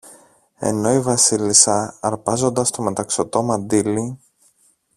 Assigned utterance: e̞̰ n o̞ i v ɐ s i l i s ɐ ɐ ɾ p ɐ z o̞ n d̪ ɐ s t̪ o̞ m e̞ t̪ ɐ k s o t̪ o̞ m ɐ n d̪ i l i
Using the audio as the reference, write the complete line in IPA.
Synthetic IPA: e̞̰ n o̞ i v ɐ s i l i s ɐ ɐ ɾ p ɐ z o̞ n d̪ ɐ s t̪ o̞ m e̞ t̪ ɐ k s o t̪ o̞ m ɐ n d̪ i l i